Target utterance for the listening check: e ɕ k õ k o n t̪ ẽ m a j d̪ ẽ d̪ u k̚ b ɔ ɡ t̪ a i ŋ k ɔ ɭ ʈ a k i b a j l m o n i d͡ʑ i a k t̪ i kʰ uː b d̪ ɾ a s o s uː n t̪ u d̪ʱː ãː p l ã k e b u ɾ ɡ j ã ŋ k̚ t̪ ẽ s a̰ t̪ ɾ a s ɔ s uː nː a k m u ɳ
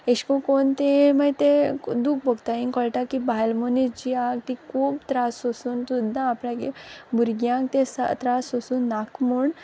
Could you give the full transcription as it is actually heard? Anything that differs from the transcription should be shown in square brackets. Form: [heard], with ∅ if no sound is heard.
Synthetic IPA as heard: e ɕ k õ k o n t̪ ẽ m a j [t̪] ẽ d̪ u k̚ b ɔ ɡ t̪ a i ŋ k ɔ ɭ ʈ a k i b a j l m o n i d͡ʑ i a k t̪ i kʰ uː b [t̪] ɾ a s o s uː n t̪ u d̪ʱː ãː p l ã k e b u ɾ ɡ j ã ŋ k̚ t̪ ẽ s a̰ t̪ ɾ a s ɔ s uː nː a k m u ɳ